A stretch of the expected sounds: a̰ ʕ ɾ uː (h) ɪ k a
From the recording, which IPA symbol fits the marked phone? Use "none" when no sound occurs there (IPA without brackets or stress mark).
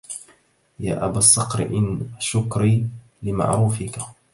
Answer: f